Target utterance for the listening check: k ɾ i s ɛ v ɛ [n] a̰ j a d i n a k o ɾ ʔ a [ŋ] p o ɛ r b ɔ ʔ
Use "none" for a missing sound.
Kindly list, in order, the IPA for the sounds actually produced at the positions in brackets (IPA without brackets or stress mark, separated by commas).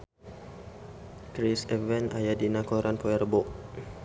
n, n